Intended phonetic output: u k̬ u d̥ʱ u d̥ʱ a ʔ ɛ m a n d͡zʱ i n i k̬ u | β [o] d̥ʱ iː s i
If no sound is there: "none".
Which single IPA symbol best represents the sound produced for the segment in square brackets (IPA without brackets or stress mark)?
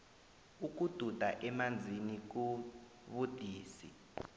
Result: u